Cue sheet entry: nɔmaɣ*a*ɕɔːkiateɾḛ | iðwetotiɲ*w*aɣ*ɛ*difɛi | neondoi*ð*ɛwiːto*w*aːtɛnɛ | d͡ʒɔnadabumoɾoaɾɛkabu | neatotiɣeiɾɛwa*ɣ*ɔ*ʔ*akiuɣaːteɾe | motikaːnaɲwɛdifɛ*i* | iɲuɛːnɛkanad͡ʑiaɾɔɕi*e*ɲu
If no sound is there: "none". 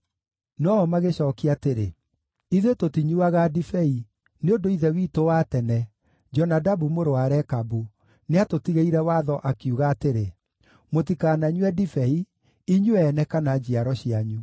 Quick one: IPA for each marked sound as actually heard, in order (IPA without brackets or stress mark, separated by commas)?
e, u, a, ð, w, ð, ʔ, i, a